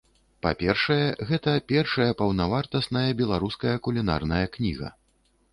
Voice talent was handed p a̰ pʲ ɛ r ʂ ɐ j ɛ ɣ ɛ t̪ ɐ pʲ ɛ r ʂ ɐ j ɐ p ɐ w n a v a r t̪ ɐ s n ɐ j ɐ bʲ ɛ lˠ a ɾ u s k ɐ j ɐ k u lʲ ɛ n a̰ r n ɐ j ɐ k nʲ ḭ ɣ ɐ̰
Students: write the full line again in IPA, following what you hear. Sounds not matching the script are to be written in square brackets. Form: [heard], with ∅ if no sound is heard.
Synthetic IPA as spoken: p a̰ pʲ ɛ r ʂ ɐ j ɛ ɣ ɛ t̪ ɐ pʲ ɛ r ʂ ɐ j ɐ p ɐ w n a v a r t̪ ɐ s n ɐ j ɐ bʲ ɛ lˠ a ɾ u s k ɐ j ɐ k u lʲ [i] n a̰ r n ɐ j ɐ k nʲ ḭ ɣ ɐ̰